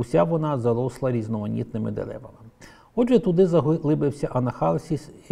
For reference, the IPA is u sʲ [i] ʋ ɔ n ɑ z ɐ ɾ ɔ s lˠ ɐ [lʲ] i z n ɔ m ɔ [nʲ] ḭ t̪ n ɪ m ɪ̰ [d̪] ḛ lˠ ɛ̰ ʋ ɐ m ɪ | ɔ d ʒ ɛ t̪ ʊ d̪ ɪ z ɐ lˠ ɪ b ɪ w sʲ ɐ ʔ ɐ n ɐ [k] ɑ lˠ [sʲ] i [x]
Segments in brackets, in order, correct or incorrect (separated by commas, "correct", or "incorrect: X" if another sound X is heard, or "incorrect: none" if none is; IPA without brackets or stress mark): incorrect: a, incorrect: ɾʲ, correct, correct, incorrect: x, correct, incorrect: s